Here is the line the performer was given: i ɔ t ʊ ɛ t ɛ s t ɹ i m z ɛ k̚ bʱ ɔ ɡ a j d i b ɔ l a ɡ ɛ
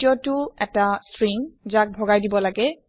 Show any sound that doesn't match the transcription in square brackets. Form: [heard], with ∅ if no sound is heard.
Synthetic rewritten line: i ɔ t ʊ ɛ t [a] s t ɹ i [ŋ] z [a] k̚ bʱ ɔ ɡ a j d i b ɔ l a ɡ ɛ